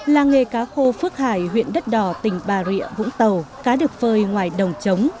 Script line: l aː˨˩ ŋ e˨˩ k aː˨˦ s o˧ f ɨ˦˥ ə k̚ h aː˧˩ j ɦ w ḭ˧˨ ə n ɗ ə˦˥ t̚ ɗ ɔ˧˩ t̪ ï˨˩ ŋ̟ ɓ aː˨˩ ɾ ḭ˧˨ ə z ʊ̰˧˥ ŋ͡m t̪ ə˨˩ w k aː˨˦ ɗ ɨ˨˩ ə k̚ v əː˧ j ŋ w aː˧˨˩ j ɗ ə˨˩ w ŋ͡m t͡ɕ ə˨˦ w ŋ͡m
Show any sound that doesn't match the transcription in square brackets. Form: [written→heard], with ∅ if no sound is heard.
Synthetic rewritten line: l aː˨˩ ŋ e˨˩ k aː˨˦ [s→x] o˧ f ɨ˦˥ ə k̚ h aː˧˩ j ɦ w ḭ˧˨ ə n ɗ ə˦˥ t̚ ɗ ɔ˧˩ t̪ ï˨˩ ŋ̟ ɓ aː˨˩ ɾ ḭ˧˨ ə [z→v] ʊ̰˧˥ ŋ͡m t̪ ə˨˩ w k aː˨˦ ɗ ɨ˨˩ ə k̚ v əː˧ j ŋ w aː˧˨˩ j ɗ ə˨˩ w ŋ͡m t͡ɕ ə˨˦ w ŋ͡m